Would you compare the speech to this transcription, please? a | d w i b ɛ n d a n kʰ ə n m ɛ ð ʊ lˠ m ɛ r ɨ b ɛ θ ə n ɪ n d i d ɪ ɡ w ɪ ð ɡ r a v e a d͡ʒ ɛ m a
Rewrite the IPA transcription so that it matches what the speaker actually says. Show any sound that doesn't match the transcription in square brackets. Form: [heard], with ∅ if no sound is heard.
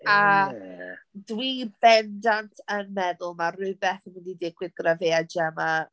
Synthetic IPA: a | d w i b ɛ n d a n [tʰ] ə n m ɛ ð ʊ lˠ m [a] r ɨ b ɛ θ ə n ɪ n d i d ɪ ɡ w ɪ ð ɡ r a v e a d͡ʒ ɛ m a

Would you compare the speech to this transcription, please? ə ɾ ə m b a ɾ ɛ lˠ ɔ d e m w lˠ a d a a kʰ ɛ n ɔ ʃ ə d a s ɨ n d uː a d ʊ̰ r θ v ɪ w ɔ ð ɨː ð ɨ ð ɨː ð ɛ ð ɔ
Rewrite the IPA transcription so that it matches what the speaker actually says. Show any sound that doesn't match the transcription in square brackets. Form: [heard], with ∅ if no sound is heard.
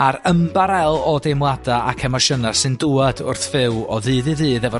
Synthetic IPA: [a] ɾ ə m b a ɾ ɛ lˠ ɔ d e m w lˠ a d a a kʰ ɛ [m] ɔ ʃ ə [n] a s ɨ n d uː a d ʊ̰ r θ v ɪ w ɔ ð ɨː ð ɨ ð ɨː ð ɛ [v] ɔ

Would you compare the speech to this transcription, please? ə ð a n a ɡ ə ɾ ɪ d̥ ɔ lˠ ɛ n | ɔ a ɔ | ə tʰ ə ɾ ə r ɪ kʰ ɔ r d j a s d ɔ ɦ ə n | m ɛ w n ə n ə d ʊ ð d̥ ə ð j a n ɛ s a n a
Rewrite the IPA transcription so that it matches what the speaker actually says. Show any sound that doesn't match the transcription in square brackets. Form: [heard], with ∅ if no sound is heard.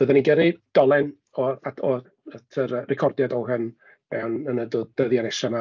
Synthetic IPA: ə ð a n [i] ɡ ə ɾ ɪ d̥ ɔ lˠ ɛ n | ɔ a ɔ | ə tʰ ə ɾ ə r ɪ kʰ ɔ r d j a [∅] d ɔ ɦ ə n | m ɛ w n ə n ə d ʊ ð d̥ ə ð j a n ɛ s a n a

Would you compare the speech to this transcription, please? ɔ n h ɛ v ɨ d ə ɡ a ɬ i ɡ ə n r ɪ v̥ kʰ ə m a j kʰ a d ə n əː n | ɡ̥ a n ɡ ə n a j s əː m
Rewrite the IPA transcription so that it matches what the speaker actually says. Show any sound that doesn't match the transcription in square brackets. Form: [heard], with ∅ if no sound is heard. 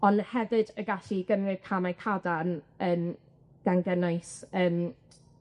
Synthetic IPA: ɔ n h ɛ v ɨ d ə ɡ a ɬ i ɡ ə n r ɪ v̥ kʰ [a] m a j kʰ a d [a] n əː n | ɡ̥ a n ɡ ə n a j s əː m

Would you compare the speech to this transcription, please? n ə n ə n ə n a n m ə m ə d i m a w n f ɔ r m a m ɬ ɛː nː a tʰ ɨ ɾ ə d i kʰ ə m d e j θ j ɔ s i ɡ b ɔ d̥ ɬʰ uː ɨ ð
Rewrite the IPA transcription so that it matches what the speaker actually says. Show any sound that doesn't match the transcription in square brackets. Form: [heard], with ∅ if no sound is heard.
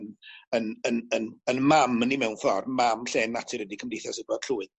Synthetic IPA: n ə n ə n ə n [ə] n m [a] m ə [n] i m [ɛ] w n f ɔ r m a m ɬ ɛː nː a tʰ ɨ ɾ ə d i kʰ ə m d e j θ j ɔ s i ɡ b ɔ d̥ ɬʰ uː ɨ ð

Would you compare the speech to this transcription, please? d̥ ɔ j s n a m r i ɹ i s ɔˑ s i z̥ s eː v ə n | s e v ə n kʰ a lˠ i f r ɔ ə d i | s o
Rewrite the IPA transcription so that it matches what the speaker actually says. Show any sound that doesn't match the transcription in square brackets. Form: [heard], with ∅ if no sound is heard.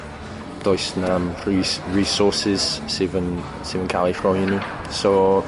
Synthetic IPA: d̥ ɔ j s n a m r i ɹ i s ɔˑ s [ɪ] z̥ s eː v ə n | s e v ə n kʰ a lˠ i f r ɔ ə [n] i | s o

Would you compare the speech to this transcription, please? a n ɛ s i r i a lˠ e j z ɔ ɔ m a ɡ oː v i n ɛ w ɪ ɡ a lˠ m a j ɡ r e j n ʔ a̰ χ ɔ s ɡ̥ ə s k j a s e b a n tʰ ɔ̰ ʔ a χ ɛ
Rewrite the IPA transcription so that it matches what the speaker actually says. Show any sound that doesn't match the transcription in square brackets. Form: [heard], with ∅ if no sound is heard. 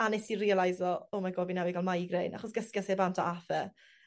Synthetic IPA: a n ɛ s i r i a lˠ [a] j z ɔ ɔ m a ɡ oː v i n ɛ w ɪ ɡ a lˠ m a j ɡ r e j n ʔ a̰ χ ɔ s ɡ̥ ə s k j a s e b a n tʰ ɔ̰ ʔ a [f] ɛ

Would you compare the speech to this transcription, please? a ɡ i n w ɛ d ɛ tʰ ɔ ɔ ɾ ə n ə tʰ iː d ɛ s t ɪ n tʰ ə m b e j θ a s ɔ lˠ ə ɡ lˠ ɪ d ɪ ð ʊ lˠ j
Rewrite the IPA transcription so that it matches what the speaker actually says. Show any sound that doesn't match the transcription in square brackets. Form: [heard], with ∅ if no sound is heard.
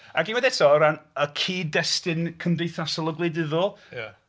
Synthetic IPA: a ɡ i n w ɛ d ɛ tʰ ɔ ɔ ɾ [a] n ə [kʰ] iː d ɛ s t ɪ n [kʰ] ə m [d] e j θ a s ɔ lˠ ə ɡ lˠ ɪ d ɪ ð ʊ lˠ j

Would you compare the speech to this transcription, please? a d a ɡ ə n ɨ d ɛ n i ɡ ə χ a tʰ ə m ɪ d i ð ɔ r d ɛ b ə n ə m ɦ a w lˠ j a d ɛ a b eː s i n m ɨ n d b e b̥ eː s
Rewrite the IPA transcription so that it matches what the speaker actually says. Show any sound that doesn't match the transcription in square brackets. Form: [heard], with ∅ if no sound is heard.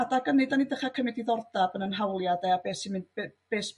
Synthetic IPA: a d a ɡ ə n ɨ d [a] n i [d] ə χ a [kʰ] ə m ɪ d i ð ɔ r d [a] b ə n ə [n] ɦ a w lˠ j a d ɛ a b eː s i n m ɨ n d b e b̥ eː s

